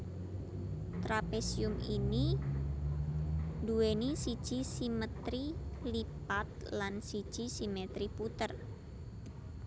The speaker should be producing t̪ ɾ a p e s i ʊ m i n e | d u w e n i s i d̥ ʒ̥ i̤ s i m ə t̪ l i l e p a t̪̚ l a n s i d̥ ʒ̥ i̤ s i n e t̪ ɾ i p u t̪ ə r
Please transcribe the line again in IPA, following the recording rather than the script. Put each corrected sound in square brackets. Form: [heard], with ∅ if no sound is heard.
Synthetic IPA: t̪ ɾ a p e s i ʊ m i n [i] | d u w e n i s i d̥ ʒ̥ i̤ s i m ə t̪ [ɾ] i l [i] p a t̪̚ l a n s i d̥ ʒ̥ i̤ s i [m] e t̪ ɾ i p u t̪ ə r

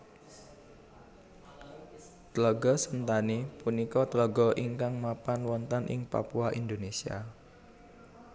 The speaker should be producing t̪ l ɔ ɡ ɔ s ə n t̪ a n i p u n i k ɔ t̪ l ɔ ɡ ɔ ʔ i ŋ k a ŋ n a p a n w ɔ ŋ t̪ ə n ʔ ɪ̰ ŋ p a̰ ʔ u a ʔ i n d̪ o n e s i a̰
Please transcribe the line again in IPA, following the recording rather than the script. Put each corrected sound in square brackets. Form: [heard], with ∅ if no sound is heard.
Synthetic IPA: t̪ l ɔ ɡ ɔ s ə n t̪ a n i p u n i k ɔ t̪ l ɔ ɡ ɔ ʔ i ŋ k a ŋ [m] a p a n w ɔ [n] t̪ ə n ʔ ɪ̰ ŋ p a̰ [p] u a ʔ i n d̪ o n e s i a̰

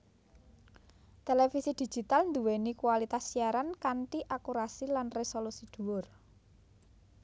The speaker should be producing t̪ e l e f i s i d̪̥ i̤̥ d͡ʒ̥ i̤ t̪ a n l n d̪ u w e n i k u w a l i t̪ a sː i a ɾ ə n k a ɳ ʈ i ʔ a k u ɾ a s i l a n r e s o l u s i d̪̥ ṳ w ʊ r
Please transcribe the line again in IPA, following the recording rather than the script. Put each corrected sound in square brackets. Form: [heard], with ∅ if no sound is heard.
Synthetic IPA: t̪ e l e f i s i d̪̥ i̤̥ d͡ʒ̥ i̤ t̪ a [∅] l n d̪ u w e n i k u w a l i t̪ a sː i a ɾ [a] n k a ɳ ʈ i ʔ a k u ɾ a s i l a n r e s o l u s i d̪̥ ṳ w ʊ r

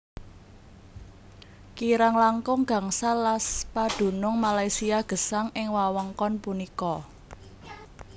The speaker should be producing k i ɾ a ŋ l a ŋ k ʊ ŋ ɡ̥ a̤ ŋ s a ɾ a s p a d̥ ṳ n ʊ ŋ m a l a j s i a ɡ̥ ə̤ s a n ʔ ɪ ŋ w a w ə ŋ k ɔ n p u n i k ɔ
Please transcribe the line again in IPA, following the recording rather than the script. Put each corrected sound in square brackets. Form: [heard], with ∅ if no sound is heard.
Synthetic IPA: k i ɾ a ŋ l a ŋ k ʊ ŋ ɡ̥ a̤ ŋ s a [l] a s p a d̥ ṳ n ʊ ŋ m a l a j s i a ɡ̥ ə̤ s a [ŋ] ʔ ɪ ŋ w a w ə ŋ k ɔ n p u n i k ɔ

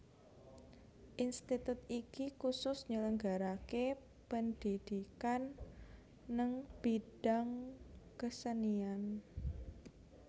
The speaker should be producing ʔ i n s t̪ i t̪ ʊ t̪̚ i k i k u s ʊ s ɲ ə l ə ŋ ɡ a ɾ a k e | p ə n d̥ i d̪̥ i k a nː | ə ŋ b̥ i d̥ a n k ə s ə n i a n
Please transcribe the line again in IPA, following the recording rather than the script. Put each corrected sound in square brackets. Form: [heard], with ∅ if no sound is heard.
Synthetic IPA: ʔ i n s t̪ i t̪ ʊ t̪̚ i k i k u s ʊ s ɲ ə l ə ŋ ɡ a ɾ a k e | p ə n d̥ i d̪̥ i k a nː | ə ŋ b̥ i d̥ a [ŋ] k ə s ə n i a n

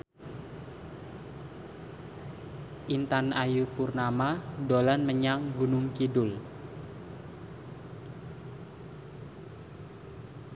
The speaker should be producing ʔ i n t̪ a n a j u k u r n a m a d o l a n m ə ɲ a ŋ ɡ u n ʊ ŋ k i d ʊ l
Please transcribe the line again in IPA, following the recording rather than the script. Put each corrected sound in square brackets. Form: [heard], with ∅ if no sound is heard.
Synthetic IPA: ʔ i n t̪ a n a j u [p] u r n a m a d o l a n m ə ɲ a ŋ ɡ u n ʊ ŋ k i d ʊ l

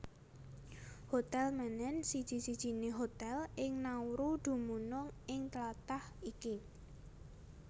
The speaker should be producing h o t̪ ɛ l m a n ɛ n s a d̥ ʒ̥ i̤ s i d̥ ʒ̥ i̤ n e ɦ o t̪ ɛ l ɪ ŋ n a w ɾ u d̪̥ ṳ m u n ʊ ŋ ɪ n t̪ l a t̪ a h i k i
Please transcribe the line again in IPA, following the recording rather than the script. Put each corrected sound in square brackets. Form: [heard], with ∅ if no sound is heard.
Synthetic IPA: h o t̪ ɛ l m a n ɛ n s [i] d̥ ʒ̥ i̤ s i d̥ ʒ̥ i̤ n e ɦ o t̪ ɛ l ɪ ŋ n a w ɾ u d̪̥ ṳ m u n ʊ ŋ ɪ [ŋ] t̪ l a t̪ a h i k i

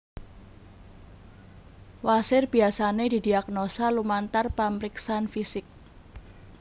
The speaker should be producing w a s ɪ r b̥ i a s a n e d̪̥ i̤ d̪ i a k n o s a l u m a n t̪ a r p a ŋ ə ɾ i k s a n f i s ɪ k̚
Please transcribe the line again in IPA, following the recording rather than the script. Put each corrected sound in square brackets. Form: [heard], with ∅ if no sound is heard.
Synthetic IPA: w a s ɪ r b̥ i a s a n e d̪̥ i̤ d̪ i a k n o s a l u m a n t̪ a r p a [m] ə ɾ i k s a n f i s ɪ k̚

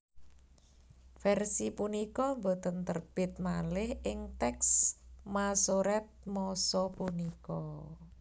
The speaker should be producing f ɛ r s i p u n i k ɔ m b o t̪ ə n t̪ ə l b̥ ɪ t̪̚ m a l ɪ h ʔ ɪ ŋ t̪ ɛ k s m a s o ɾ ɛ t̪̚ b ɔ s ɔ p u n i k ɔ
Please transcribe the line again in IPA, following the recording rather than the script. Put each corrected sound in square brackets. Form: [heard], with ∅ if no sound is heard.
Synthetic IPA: f ɛ r s i p u n i k ɔ m b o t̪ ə n t̪ ə [r] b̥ ɪ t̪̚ m a l ɪ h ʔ ɪ ŋ t̪ ɛ k s m a s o ɾ ɛ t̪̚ [m] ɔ s ɔ p u n i k ɔ

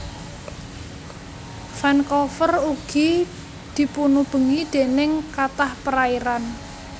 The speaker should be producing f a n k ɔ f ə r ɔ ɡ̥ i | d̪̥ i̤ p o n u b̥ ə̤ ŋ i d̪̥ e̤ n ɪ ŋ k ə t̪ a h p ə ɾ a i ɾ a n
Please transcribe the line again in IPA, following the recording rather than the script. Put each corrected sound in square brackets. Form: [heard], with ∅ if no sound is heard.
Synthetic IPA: f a n k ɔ f ə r [u] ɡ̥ i | d̪̥ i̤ p [u] n u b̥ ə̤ ŋ i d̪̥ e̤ n ɪ ŋ k [a] t̪ a h p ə ɾ a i ɾ a n

